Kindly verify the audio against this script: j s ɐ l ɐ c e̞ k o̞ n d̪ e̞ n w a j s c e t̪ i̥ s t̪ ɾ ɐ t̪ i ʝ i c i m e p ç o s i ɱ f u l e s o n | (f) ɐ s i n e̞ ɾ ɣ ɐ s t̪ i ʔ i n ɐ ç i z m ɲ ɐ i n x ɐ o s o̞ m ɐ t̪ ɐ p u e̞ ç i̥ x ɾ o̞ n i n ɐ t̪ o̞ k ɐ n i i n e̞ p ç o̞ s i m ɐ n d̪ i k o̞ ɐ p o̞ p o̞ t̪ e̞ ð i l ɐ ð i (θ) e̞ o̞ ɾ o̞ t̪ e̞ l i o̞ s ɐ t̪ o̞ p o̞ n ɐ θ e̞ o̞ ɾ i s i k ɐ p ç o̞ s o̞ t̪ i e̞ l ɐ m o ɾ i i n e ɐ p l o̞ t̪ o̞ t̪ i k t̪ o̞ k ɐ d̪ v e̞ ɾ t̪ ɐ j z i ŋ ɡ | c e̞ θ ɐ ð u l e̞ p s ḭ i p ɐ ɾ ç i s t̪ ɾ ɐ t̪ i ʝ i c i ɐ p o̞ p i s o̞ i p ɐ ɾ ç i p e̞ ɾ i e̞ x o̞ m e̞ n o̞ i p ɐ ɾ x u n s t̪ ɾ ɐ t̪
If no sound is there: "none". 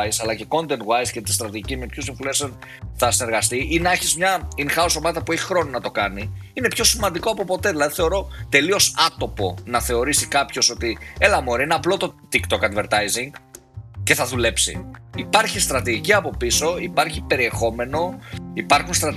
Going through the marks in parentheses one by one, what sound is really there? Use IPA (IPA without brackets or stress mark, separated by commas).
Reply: θ, θ